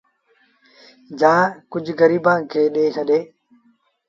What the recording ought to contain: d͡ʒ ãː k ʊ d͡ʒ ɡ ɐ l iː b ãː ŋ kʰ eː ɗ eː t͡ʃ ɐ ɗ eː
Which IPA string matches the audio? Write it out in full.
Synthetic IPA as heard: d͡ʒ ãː k ʊ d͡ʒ ɡ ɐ ɾ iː b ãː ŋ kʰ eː ɗ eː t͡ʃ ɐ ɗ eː

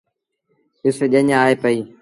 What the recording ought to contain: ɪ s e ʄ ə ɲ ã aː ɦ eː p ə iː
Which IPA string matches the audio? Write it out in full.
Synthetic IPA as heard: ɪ s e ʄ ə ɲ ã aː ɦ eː p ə iː

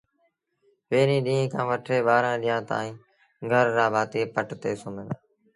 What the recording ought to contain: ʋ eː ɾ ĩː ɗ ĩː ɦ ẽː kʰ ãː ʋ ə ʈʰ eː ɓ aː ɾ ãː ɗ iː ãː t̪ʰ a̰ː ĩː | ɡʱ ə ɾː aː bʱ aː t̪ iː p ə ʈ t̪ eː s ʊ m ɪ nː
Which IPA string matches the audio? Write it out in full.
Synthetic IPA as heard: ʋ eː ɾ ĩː ɗ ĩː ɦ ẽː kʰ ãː ʋ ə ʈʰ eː ɓ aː ɾ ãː ɗ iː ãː t̪ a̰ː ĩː | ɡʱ ə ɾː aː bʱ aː t̪ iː p ə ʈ t̪ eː s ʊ m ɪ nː

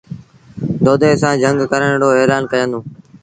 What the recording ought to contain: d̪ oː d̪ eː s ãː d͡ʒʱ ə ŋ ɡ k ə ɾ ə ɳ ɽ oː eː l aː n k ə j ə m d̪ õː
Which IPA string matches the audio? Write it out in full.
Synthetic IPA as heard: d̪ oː d̪ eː s ãː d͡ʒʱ ə ŋ ɡ k ə ɾ ə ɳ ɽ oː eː l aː n k ə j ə n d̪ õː

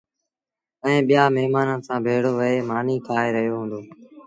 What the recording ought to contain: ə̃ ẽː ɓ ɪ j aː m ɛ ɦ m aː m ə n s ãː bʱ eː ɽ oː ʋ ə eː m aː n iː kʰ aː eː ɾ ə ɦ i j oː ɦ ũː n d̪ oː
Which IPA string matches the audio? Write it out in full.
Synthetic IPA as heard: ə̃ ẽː ɓ ɪ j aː m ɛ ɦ m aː n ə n s ãː bʱ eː ɽ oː ʋ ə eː m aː n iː kʰ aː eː ɾ ə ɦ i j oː ɦ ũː n d̪ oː

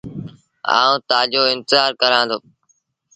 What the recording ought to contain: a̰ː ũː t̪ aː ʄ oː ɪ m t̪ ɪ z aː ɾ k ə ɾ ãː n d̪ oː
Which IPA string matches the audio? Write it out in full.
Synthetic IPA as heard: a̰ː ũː t̪ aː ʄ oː ɪ n t̪ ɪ z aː ɾ k ə ɾ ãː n d̪ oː

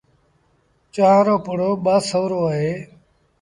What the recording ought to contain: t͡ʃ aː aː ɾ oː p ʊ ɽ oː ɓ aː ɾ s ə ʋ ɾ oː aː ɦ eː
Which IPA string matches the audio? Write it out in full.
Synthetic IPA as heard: t͡ʃ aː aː ɾ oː p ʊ ɽ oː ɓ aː s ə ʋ ɾ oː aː ɦ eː

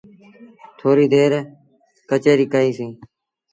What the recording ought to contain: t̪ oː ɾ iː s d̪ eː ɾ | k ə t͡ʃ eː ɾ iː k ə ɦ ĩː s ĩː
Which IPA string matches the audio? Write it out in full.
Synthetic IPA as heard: t̪ʰ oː ɾ iː d̪ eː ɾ | k ə t͡ʃ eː ɾ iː k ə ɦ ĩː s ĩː

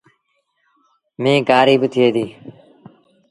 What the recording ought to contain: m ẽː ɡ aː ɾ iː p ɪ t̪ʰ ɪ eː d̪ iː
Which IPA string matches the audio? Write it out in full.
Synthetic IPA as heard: m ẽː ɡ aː ɾ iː b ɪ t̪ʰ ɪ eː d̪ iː

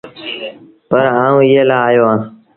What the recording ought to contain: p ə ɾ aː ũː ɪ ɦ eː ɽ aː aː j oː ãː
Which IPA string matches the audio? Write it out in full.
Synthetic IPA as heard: p ə ɾ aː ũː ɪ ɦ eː l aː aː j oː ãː

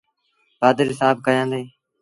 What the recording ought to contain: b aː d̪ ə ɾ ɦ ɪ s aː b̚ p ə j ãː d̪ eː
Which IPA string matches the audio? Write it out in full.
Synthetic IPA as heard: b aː d̪ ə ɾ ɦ ɪ s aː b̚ k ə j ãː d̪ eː

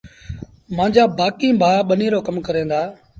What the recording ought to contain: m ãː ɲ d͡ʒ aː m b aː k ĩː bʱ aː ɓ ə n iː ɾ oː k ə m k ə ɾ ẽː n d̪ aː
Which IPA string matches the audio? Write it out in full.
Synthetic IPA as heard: m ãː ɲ d͡ʒ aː b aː k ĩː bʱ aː ɓ ə n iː ɾ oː k ə m k ə ɾ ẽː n d̪ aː

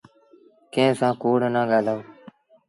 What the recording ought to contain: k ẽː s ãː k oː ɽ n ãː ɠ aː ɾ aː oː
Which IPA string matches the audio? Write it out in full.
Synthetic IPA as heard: k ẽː s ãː k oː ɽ n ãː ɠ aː l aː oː

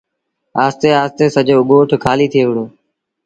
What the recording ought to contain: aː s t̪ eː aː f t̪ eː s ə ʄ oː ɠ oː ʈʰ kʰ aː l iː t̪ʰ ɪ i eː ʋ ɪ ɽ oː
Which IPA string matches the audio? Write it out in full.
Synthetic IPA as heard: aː s t̪ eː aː s t̪ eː s ə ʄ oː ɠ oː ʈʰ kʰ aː l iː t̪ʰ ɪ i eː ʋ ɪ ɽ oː

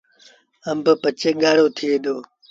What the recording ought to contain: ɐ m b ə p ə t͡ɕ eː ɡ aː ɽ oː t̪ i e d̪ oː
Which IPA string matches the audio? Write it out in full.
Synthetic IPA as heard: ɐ m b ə p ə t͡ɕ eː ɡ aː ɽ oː t̪ʰ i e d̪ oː

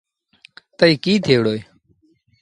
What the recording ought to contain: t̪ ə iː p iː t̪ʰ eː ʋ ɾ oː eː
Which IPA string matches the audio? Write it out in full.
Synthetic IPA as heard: t̪ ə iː k iː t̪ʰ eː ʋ ɽ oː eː

